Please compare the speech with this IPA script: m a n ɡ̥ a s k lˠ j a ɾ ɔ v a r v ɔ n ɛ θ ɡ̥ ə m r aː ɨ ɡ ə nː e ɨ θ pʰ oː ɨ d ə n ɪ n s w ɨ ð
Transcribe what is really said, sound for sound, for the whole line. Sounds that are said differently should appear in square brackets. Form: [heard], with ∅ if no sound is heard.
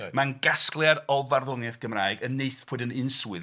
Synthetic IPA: m a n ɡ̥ a s k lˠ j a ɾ ɔ v a r [ð] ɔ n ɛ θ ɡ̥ ə m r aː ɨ ɡ ə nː e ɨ θ pʰ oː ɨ d ə n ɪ n s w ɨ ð